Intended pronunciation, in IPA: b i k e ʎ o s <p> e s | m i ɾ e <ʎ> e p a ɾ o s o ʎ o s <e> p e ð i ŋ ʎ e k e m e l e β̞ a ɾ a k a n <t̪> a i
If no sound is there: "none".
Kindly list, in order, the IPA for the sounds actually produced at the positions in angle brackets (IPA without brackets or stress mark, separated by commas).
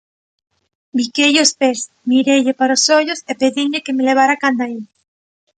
p, ʎ, e, d̪